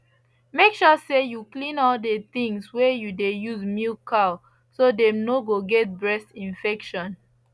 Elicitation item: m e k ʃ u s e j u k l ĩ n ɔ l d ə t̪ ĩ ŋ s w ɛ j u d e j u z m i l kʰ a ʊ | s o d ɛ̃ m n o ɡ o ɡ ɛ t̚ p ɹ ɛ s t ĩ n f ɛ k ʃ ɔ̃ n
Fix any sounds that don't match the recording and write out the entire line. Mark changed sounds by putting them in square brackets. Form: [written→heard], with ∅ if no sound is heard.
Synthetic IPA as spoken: m e k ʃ [u→ɔ] s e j u k l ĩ n ɔ l d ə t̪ ĩ ŋ s w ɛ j u d e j u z m i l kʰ a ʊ | s o d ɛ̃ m n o ɡ o ɡ ɛ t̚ [p→b] ɹ ɛ s t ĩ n f ɛ k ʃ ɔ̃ n